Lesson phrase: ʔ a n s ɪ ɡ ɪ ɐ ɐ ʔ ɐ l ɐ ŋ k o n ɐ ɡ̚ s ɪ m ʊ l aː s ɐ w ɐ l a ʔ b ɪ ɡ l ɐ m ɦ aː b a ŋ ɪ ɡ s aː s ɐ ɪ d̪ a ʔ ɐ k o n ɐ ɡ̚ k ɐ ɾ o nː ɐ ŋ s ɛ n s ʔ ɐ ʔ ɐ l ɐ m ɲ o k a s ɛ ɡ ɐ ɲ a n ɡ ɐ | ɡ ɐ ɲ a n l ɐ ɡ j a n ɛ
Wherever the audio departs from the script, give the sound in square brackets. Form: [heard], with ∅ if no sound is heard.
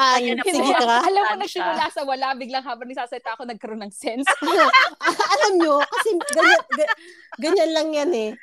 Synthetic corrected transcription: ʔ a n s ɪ ɡ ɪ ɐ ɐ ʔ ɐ l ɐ [m] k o n ɐ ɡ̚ s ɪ m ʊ l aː s ɐ w ɐ l a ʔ b ɪ ɡ l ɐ [ŋ] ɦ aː b [ɐ] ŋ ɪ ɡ s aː s ɐ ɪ [t̪] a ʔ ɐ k o n ɐ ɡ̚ k ɐ ɾ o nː ɐ ŋ s ɛ n s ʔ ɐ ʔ ɐ l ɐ m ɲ o k [ɐ] s ɛ ɡ ɐ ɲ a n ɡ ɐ | ɡ ɐ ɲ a n l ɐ [ŋ] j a n ɛ